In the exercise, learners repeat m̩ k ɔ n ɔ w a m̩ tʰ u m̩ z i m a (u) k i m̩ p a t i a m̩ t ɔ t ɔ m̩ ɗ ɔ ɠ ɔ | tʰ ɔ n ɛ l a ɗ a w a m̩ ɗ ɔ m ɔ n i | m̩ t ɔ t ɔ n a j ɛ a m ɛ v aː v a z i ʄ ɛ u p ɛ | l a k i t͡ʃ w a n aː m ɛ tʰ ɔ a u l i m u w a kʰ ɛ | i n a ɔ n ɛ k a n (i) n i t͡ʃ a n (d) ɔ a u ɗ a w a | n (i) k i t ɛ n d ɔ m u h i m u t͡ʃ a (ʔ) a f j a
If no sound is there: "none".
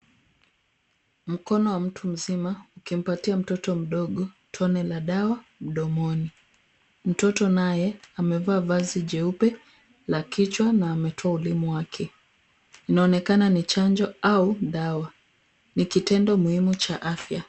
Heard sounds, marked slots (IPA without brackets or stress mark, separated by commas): u, a, d͡ʒ, i, ʔ